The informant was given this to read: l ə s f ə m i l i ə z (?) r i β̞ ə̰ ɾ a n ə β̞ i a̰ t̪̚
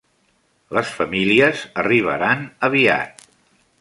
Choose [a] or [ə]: ə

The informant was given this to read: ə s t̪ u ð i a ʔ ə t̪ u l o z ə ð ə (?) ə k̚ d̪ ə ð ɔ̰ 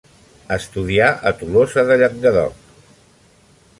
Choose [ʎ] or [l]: ʎ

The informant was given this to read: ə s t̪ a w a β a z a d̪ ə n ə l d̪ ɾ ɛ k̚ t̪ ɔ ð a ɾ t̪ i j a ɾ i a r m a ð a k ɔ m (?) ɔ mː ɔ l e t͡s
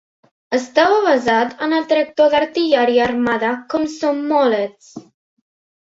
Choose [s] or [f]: s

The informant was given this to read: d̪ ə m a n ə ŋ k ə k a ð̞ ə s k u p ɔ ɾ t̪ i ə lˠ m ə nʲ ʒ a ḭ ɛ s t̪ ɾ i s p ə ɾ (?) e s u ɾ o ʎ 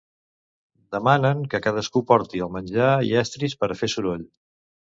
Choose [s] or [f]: f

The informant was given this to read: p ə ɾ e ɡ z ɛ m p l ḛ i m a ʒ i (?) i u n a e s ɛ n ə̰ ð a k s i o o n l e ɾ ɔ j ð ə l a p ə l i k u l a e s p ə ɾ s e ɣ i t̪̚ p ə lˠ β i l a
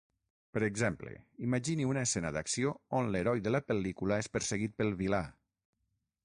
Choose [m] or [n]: n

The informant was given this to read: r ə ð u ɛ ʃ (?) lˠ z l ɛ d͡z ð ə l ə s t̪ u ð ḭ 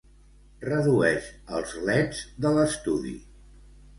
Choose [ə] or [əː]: ə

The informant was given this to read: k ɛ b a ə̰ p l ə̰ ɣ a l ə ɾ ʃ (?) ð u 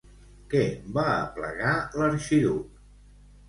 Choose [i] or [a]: i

